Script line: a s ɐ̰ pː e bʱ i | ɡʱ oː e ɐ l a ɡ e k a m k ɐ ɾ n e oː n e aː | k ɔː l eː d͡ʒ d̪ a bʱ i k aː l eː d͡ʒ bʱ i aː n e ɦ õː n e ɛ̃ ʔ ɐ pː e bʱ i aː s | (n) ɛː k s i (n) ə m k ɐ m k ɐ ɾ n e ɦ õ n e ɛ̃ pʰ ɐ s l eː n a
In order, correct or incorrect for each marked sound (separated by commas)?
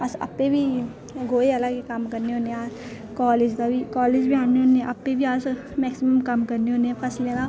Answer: incorrect, incorrect